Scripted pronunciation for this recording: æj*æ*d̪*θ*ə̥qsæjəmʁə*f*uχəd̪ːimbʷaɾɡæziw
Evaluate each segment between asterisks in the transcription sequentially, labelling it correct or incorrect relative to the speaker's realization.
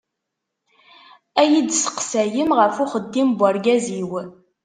incorrect, incorrect, correct

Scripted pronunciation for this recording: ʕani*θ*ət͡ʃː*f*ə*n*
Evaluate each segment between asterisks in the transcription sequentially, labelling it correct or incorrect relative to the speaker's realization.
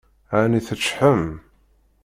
correct, incorrect, incorrect

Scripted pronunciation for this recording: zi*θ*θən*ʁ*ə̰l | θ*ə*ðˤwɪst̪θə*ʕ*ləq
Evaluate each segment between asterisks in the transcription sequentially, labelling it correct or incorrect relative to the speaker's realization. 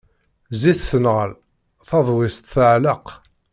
correct, correct, incorrect, correct

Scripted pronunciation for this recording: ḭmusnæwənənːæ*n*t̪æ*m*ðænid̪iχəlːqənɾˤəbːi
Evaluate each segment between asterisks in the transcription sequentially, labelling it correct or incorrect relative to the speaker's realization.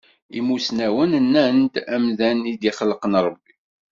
correct, correct

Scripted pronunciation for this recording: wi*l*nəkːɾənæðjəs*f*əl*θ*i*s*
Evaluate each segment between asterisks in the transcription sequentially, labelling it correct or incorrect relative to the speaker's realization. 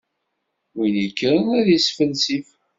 incorrect, correct, incorrect, incorrect

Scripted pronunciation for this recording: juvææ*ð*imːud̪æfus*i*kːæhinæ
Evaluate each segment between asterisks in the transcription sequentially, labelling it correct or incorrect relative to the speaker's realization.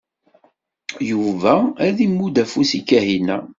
correct, correct

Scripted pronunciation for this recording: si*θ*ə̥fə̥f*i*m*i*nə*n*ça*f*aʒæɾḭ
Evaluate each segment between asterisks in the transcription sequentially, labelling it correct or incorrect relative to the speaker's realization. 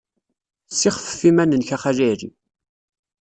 incorrect, correct, incorrect, correct, incorrect

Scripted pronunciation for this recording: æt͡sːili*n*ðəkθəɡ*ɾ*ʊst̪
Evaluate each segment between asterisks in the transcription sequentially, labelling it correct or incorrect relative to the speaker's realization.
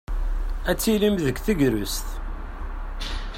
incorrect, correct

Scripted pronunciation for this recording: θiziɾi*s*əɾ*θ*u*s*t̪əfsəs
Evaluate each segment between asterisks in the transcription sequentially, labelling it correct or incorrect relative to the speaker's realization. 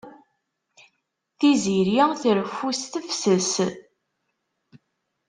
incorrect, incorrect, correct

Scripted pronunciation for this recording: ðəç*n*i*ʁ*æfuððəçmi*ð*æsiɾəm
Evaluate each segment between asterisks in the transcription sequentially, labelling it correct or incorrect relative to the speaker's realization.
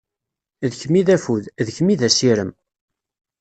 incorrect, incorrect, correct

